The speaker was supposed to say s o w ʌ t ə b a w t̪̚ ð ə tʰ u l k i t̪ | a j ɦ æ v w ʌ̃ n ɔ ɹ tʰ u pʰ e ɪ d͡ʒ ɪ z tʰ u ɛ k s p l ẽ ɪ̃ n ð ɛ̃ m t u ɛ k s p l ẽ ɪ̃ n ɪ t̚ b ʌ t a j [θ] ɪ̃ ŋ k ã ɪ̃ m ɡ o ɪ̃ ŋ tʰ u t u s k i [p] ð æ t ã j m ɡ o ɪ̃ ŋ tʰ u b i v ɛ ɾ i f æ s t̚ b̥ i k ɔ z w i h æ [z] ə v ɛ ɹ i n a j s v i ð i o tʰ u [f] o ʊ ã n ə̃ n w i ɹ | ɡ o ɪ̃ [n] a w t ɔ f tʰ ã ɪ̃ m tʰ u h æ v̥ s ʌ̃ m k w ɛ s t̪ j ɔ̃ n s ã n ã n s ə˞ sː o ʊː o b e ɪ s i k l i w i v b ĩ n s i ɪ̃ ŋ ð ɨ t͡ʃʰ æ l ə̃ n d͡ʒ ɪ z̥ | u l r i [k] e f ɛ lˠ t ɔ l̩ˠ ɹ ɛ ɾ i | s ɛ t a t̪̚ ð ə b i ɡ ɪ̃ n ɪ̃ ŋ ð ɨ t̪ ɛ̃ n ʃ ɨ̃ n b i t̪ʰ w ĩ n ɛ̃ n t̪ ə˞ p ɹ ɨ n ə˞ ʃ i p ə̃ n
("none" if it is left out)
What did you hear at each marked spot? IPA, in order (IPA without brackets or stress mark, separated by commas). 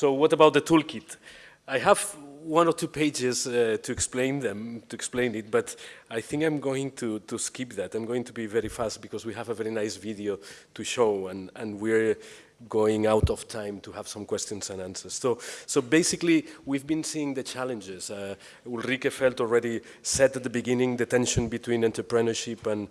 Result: θ, p, v, ʃ, ŋ, k